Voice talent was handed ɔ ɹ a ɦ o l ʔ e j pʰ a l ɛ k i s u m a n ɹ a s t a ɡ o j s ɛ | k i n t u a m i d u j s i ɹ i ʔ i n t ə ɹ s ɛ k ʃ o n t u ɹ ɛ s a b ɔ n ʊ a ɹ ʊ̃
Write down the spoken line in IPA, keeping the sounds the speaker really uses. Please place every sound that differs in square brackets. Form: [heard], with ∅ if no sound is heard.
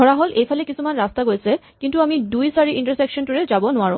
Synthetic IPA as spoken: ɔ ɹ a ɦ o l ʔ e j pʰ a l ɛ k i s u m a n ɹ a s t a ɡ o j s ɛ | k i n t u a m i d u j s [a] ɹ i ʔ i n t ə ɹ s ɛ k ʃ [ɔ] n t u ɹ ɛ [z] a b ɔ n ʊ a ɹ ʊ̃